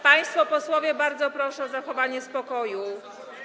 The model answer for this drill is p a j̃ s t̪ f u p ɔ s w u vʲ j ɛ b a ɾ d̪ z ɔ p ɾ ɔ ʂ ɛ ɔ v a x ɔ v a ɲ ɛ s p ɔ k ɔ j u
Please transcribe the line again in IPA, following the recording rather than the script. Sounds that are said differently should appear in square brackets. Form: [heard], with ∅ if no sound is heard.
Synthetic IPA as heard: p a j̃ s t̪ f [ɔ] p ɔ s w [ɔ] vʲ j ɛ b a ɾ d̪ z ɔ p ɾ ɔ ʂ ɛ ɔ [z] a x ɔ v a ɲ ɛ s p ɔ k ɔ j u